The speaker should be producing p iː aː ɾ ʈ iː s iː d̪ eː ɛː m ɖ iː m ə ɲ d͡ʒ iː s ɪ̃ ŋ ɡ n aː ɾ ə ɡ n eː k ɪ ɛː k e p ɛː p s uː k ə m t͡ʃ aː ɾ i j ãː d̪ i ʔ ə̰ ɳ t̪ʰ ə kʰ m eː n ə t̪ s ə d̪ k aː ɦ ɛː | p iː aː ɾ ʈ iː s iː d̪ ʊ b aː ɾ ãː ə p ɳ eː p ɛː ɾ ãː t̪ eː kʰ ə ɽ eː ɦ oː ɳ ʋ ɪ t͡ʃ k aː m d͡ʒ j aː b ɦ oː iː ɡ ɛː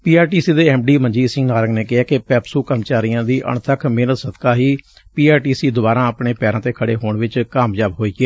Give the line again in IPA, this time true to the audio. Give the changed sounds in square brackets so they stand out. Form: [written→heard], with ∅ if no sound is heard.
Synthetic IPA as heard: p iː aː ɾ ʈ iː s iː d̪ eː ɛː m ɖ iː m ə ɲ d͡ʒ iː s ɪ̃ ŋ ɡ n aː ɾ ə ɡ n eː k ɪ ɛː k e p ɛː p s uː k ə m t͡ʃ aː ɾ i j ãː d̪ [i→iː] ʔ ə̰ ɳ t̪ʰ ə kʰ m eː n ə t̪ s ə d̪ k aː ɦ [ɛː→iː] | p iː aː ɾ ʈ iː s iː d̪ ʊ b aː ɾ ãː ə p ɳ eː p ɛː ɾ ãː t̪ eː kʰ ə ɽ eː ɦ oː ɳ ʋ ɪ t͡ʃ k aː m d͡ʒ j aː b ɦ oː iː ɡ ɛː